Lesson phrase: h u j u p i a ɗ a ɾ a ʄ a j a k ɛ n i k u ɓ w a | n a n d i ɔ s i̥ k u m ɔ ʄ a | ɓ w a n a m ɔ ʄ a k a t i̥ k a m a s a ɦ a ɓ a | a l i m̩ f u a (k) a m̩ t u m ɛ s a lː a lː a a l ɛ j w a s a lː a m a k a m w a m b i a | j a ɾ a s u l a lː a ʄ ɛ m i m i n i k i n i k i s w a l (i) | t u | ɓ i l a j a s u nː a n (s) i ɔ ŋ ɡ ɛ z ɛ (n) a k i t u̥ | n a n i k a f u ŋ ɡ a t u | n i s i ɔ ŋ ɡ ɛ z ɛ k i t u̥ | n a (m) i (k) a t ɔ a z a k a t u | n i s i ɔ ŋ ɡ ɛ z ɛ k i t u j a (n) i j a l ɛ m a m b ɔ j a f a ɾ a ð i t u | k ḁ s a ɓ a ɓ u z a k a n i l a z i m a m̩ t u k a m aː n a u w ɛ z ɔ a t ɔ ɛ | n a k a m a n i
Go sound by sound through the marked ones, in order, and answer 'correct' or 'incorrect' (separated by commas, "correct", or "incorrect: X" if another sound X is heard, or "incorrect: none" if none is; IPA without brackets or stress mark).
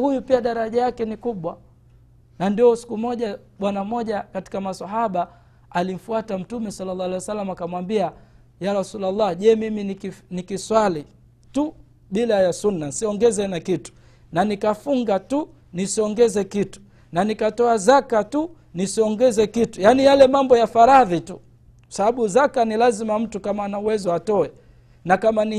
incorrect: t, correct, correct, correct, incorrect: n, correct, correct